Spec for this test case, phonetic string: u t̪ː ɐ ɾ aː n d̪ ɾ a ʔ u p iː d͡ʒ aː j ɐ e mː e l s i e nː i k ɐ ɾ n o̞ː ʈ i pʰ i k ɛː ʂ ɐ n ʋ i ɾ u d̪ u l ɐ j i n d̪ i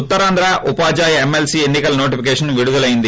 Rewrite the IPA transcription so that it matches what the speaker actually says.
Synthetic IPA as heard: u t̪ː ɐ ɾ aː n d̪ ɾ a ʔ u p aː d͡ʒ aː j ɐ e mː e l s i e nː i k ɐ l n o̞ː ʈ i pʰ i k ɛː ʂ ɐ n ʋ i ɽ u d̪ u l ɐ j i n d̪ i